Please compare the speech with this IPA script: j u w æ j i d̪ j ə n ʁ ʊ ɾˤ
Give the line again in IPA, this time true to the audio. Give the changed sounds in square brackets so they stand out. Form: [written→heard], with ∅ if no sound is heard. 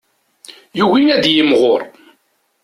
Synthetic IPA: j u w [æ→i] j [i→æ] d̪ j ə [n→m] ʁ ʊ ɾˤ